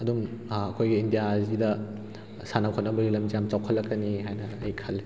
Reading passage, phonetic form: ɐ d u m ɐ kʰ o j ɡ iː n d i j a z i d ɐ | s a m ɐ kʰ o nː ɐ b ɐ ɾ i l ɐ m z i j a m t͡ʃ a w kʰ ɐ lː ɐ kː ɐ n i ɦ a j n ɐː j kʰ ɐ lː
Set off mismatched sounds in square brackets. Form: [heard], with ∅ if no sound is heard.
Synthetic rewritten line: ɐ d u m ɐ kʰ o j ɡ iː n d i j a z i d ɐ | s a [n] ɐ kʰ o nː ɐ b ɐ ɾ i l ɐ m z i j a m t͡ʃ a w kʰ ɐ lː ɐ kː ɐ n i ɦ a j n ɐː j kʰ ɐ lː